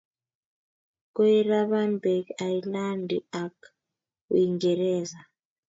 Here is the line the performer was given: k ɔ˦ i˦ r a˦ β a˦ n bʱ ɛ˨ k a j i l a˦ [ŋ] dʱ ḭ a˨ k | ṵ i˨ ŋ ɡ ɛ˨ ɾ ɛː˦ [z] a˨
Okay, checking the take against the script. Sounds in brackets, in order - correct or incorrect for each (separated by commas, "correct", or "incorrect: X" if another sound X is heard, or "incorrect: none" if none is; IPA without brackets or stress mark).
incorrect: n, correct